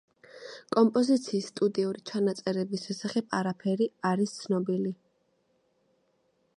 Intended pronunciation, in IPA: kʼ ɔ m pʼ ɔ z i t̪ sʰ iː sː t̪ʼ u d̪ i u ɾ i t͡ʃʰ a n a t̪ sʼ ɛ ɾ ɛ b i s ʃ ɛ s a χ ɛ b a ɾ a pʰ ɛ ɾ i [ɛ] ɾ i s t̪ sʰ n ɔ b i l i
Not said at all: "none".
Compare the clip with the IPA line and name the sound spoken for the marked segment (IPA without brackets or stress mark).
a